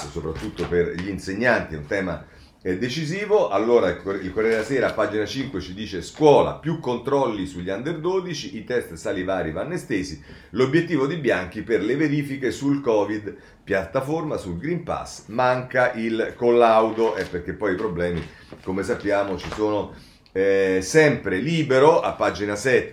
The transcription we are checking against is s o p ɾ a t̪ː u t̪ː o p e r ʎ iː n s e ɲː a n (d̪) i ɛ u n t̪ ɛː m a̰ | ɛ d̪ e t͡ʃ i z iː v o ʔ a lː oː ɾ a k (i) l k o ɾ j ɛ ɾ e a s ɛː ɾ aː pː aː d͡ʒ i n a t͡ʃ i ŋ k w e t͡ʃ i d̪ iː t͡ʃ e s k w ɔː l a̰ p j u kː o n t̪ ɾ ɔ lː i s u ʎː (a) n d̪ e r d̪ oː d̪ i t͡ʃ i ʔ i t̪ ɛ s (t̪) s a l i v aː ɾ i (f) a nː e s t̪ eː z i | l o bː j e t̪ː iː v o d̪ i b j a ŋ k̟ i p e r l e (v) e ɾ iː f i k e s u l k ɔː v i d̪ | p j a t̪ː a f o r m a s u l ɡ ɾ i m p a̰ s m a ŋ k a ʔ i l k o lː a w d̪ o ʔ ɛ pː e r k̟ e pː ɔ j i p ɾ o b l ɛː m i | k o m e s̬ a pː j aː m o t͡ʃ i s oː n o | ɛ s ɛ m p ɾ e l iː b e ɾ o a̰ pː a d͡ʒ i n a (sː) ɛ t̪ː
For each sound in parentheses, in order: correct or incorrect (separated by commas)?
incorrect, correct, correct, correct, incorrect, correct, incorrect